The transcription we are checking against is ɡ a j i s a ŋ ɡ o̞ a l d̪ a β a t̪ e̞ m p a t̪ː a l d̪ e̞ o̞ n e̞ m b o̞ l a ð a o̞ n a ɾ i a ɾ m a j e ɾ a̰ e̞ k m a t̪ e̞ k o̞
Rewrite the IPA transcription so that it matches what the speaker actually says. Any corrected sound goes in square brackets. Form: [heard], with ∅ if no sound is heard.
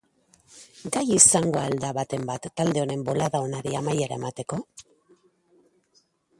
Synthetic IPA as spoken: ɡ a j i s a ŋ ɡ o̞ a l d̪ a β a t̪ e̞ m [b] a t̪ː a l d̪ e̞ o̞ n e̞ m b o̞ l a ð a o̞ n a ɾ i a [∅] m a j e ɾ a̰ e̞ [∅] m a t̪ e̞ k o̞